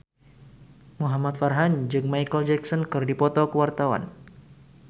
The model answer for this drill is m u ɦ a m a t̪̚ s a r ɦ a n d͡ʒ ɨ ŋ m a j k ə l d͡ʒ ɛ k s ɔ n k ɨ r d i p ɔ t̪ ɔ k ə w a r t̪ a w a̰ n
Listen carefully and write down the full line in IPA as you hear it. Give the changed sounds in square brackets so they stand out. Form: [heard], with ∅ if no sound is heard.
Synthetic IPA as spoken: m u ɦ a m a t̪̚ [f] a r ɦ a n d͡ʒ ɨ ŋ m a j k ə l d͡ʒ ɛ k s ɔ n k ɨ r d i p ɔ t̪ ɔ k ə w a r t̪ a w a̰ n